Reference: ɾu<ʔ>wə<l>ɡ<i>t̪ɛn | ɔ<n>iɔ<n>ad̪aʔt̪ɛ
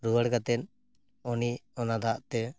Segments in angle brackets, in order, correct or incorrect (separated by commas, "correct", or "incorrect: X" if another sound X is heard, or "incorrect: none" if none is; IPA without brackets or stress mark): incorrect: none, incorrect: ɽ, incorrect: a, correct, correct